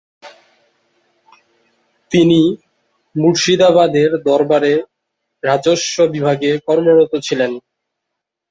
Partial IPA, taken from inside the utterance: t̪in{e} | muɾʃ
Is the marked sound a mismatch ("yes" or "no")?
yes